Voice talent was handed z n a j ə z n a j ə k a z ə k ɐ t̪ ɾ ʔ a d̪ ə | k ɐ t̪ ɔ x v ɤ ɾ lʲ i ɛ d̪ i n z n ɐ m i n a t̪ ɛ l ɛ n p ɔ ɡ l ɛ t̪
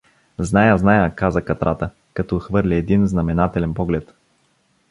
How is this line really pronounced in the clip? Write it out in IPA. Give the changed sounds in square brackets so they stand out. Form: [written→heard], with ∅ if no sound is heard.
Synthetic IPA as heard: z n a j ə z n a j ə k a z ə k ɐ t̪ ɾ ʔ a [d̪→t̪] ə | k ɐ t̪ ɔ x v ɤ ɾ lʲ i ɛ d̪ i n z n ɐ m [i→ɛ] n a t̪ ɛ l ɛ n p ɔ ɡ l ɛ t̪